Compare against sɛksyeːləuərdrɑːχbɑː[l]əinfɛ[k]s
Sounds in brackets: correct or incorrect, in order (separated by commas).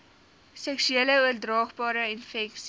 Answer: incorrect, correct